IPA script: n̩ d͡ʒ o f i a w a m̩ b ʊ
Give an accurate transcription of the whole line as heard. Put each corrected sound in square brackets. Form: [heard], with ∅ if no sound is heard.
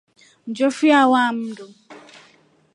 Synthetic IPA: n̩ d͡ʒ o f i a w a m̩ [d] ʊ

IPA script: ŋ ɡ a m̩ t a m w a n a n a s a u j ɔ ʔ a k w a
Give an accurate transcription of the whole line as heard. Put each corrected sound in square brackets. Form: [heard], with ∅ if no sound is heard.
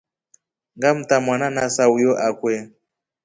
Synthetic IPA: ŋ ɡ a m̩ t a m w a n a n a s a u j ɔ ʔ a k w [ɛ]

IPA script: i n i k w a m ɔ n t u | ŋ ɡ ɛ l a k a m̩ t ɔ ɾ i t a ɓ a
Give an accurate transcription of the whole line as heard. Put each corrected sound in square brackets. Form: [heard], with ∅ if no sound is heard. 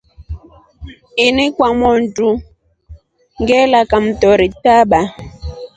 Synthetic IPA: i n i k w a m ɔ n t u | ŋ ɡ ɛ l a k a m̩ t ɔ ɾ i t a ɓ a

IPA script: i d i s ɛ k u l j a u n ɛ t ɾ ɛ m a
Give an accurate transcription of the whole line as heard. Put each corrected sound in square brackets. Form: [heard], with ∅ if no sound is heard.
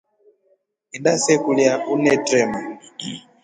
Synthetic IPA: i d [a] s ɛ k u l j a u n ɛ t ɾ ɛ m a

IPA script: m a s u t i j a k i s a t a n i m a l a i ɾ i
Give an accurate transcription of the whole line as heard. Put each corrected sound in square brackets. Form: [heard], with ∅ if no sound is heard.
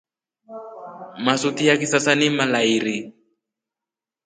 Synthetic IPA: m a s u t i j a k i s a [s] a n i m a l a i ɾ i

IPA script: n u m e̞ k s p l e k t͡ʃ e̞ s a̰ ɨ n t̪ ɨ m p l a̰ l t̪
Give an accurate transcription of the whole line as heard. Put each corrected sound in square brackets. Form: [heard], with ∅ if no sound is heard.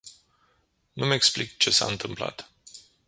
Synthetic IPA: n u m e̞ k s p l [i] k t͡ʃ e̞ s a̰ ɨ n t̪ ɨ m p l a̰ [∅] t̪

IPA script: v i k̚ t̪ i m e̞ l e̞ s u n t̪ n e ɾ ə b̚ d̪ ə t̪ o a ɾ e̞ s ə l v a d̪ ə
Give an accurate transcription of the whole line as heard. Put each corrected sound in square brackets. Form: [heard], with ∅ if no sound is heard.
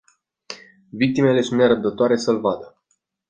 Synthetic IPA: v i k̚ t̪ i m e̞ l e̞ s u n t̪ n e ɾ ə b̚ d̪ ə t̪ o a ɾ e̞ s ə l v a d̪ ə

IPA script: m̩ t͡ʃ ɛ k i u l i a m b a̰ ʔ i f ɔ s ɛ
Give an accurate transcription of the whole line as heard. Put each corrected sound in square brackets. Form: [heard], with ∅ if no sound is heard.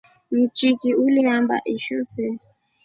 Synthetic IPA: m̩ t͡ʃ [i] k i u l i a m b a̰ ʔ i [ʃ] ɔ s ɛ

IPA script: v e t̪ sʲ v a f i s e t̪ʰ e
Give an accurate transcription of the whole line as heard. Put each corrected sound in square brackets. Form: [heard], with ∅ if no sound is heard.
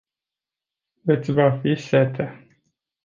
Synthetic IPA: v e t̪ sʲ v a f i s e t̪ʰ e

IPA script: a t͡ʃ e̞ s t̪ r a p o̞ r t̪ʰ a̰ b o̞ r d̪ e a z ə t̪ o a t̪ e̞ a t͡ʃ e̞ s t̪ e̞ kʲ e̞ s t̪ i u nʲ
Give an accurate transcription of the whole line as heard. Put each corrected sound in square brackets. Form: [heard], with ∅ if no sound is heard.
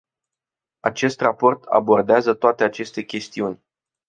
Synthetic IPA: a t͡ʃ e̞ s t̪ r a p o̞ r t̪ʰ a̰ b o̞ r d̪ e a z ə t̪ o a t̪ e̞ a t͡ʃ e̞ s t̪ e̞ kʲ e̞ s t̪ i u nʲ

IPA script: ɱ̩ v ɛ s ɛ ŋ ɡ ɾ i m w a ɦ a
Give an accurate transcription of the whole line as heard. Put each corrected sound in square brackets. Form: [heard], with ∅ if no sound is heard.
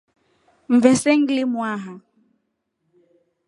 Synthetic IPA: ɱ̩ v ɛ s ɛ ŋ ɡ [l] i m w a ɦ a

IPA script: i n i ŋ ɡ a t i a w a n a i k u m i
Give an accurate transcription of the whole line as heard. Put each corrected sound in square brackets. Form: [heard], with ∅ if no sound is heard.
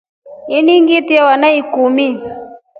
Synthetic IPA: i n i ŋ ɡ [i] t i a w a n a i k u m i

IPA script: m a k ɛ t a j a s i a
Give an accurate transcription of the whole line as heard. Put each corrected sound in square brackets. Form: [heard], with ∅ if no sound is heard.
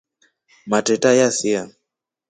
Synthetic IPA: m a [t] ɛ t a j a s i a

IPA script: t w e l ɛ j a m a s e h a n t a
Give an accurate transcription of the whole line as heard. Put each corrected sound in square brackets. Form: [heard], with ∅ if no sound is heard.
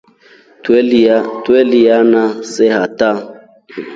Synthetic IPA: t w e l [i] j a [n] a s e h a [∅] t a

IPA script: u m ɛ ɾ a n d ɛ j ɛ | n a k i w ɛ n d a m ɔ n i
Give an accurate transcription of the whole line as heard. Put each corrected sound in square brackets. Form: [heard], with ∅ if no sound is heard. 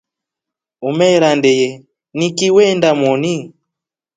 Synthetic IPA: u m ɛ ɾ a n d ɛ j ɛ | n [i] k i w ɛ n d a m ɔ n i

